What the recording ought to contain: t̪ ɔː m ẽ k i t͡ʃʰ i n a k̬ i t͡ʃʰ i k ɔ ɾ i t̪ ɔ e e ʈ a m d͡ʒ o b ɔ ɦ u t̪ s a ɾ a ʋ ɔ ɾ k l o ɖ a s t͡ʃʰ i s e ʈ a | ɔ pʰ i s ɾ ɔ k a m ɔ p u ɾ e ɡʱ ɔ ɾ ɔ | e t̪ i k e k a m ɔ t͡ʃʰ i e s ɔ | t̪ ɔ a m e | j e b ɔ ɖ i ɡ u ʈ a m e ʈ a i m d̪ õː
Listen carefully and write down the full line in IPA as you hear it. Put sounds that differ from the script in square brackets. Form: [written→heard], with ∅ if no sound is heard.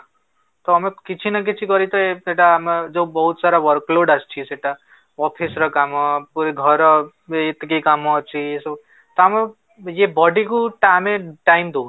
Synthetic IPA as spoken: t̪ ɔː m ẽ k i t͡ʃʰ i n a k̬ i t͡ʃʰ i k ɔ ɾ i t̪ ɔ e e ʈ a m d͡ʒ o b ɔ ɦ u t̪ s a ɾ a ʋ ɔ ɾ k l o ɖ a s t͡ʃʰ i s e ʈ a | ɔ pʰ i s ɾ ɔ k a m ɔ p u ɾ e ɡʱ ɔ ɾ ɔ | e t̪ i k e k a m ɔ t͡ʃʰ i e s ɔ | t̪ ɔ a m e | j e b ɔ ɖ i [ɡ→k] u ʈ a m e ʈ a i m d̪ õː